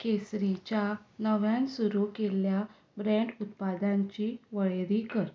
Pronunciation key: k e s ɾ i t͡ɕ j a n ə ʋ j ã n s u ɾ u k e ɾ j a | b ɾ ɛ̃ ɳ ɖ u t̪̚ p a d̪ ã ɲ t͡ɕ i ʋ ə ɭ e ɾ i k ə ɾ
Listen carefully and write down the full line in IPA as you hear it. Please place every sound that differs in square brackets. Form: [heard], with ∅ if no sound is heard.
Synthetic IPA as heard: k e s ɾ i t͡ɕ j a n ə ʋ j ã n s u ɾ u k e [l] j a | b ɾ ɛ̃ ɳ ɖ u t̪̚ p a d̪ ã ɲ t͡ɕ i ʋ ə ɭ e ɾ i k ə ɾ